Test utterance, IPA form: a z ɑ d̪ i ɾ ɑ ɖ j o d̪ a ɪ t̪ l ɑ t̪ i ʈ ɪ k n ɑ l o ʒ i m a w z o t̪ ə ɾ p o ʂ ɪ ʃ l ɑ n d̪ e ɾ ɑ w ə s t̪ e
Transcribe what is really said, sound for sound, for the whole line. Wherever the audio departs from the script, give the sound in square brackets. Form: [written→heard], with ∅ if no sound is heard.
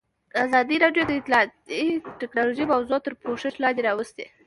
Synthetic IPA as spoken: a z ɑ d̪ i ɾ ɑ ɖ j o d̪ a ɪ t̪ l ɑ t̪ i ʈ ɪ k n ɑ l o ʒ i m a w z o t̪ ə ɾ p o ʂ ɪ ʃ l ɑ n d̪ e ɾ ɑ w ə s t̪ e